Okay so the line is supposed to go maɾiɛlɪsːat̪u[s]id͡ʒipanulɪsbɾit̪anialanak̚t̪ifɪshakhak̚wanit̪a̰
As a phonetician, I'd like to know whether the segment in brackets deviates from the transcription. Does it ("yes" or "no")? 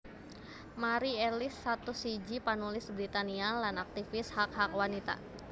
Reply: no